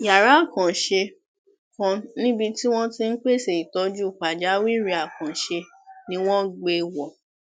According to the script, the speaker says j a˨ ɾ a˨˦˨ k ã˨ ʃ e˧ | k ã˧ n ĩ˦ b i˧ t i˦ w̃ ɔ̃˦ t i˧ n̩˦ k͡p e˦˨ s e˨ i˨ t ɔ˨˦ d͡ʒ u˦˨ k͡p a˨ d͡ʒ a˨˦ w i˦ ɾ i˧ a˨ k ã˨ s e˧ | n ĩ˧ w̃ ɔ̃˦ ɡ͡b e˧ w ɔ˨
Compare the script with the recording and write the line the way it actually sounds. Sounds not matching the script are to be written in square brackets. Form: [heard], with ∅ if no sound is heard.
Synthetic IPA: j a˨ ɾ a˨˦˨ k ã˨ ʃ e˧ | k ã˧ n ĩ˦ b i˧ t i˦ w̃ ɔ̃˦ t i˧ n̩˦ k͡p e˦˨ s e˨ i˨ t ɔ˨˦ d͡ʒ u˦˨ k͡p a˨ d͡ʒ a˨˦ w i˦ ɾ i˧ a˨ k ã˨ [ʃ] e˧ | n ĩ˧ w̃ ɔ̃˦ ɡ͡b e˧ w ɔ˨

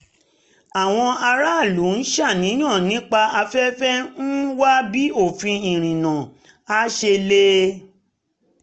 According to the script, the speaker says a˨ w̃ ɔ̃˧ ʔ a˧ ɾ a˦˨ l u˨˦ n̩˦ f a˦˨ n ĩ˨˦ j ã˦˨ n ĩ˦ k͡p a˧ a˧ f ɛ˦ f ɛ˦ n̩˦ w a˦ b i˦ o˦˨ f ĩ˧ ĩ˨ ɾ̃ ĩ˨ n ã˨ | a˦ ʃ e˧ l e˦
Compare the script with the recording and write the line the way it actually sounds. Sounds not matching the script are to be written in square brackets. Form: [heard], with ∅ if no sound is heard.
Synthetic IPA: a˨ w̃ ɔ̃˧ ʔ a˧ ɾ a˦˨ l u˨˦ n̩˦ [ʃ] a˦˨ n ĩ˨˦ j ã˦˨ n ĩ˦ k͡p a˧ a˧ f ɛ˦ f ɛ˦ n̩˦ w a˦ b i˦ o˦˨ f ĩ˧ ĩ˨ ɾ̃ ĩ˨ n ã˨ | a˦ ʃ e˧ l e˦

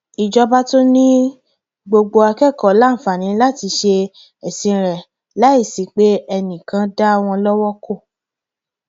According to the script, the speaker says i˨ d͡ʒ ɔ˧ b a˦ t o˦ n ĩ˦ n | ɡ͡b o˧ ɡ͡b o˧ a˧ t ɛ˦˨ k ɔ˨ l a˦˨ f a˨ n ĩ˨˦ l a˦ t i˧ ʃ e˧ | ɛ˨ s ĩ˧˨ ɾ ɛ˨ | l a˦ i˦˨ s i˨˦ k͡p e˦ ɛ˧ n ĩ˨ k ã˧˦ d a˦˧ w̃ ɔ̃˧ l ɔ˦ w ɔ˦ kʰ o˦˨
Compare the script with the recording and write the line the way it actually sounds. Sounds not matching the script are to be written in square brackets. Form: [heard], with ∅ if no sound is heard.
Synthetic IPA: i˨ d͡ʒ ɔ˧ b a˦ t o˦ n ĩ˦ [∅] | ɡ͡b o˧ ɡ͡b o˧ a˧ [k] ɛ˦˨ k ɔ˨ l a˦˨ f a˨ n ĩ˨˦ l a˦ t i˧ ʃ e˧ | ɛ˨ s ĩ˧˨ ɾ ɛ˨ | l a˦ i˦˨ s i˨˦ k͡p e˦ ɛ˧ n ĩ˨ k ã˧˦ d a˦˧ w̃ ɔ̃˧ l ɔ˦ w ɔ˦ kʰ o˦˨

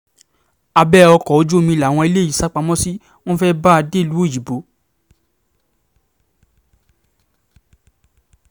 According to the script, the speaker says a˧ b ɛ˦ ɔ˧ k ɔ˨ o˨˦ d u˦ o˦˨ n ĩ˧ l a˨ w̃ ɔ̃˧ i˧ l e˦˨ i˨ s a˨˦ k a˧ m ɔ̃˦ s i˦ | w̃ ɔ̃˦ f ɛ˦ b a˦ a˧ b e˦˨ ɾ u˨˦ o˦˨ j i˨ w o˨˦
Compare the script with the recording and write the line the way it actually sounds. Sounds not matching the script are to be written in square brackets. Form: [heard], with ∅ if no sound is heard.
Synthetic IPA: a˧ b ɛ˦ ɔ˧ k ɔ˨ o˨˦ [d͡ʒ] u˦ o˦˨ [m] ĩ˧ l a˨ w̃ ɔ̃˧ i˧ l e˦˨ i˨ s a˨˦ [k͡p] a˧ m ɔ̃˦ s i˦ | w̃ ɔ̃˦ f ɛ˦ b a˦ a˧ [d] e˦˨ [l] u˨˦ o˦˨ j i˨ [b] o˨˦

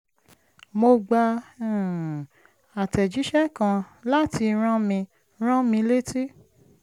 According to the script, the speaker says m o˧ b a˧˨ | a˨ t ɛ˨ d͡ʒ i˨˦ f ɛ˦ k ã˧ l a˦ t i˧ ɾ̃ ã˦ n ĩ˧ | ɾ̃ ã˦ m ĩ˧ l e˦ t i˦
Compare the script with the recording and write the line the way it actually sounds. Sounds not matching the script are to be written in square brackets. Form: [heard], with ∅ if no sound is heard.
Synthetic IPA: m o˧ [ɡ͡b] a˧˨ | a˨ t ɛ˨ d͡ʒ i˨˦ [ʃ] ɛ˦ k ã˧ l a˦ t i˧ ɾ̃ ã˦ [m] ĩ˧ | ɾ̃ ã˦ m ĩ˧ l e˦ t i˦

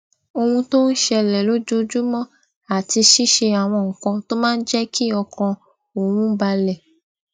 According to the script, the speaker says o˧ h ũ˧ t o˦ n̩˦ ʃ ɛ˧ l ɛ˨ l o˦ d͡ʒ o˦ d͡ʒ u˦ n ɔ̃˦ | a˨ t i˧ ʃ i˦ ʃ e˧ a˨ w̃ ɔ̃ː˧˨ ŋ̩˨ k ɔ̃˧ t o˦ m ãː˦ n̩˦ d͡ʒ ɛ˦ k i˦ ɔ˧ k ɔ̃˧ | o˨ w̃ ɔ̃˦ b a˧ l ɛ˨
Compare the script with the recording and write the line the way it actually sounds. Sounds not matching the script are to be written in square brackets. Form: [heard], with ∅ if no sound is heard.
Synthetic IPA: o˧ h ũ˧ t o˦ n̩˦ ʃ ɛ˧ l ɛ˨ l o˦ d͡ʒ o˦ d͡ʒ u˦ [m] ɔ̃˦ | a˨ t i˧ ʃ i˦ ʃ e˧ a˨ w̃ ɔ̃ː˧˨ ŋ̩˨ k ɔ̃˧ t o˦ m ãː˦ n̩˦ d͡ʒ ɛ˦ k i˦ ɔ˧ k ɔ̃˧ | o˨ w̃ [ũ˦] b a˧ l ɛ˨

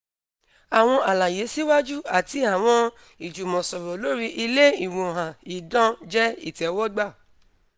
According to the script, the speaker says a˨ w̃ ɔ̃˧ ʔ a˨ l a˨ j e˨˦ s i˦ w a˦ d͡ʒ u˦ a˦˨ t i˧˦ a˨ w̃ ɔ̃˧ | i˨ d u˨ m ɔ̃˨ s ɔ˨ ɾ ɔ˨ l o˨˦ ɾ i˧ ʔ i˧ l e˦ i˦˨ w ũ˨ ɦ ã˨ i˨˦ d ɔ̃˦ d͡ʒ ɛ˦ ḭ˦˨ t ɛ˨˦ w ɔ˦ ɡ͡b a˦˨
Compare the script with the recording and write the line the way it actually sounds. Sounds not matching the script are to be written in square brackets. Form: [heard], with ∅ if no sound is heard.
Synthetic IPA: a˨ w̃ ɔ̃˧ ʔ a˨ l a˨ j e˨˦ s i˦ w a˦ d͡ʒ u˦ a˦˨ t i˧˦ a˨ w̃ ɔ̃˧ | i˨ [d͡ʒ] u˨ m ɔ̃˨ s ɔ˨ ɾ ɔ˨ l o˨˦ ɾ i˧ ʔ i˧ l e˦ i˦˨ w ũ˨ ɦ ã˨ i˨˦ d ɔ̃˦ d͡ʒ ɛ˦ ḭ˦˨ t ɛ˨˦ w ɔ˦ ɡ͡b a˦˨

